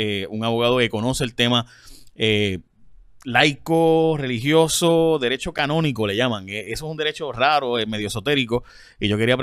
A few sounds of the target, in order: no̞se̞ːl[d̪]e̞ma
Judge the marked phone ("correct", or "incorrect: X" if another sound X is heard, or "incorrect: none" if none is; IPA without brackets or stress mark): incorrect: t̪